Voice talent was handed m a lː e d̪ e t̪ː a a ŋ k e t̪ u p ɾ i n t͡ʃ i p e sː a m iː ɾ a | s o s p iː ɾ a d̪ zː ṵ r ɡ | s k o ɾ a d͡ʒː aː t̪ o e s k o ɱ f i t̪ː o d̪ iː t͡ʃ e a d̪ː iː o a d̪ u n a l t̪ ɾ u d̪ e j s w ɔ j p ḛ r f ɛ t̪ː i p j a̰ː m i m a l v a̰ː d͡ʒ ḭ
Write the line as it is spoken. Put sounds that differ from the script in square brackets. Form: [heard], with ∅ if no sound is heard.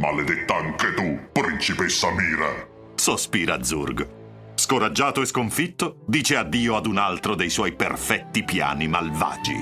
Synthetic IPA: m a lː e d̪ e t̪ː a a ŋ k e t̪ u p ɾ i n t͡ʃ i p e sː a m iː ɾ a | s o s p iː ɾ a d̪ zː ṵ r ɡ | s k o ɾ a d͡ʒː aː t̪ o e s k o ɱ f i t̪ː o d̪ iː t͡ʃ e a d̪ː iː o a d̪ u n a l t̪ ɾ [o] d̪ e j s w ɔ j p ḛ r f ɛ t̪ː i p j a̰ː [n] i m a l v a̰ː d͡ʒ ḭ